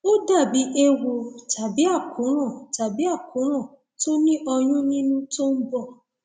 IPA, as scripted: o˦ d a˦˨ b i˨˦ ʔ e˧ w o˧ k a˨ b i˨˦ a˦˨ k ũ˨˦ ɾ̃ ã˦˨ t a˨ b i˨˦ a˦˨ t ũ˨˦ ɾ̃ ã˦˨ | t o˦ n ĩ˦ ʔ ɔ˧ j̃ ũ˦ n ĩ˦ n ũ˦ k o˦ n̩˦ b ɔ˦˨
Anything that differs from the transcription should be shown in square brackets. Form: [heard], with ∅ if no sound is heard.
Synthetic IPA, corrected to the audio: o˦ d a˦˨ b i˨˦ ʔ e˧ w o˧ [t] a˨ b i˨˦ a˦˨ k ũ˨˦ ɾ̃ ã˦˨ t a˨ b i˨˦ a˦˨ [k] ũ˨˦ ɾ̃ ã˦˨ | t o˦ n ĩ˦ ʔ ɔ˧ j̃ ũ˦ n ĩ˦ n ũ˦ [t] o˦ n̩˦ b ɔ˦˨